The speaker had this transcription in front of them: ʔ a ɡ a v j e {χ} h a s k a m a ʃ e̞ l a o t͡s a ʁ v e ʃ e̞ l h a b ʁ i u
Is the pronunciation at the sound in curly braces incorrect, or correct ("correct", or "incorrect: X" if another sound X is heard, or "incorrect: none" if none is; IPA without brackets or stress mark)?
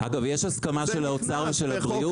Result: incorrect: ʃ